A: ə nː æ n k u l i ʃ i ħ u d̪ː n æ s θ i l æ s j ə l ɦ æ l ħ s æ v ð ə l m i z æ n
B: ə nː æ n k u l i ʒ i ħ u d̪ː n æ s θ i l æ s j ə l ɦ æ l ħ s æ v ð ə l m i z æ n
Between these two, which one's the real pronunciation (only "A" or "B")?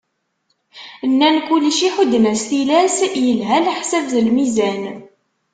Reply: A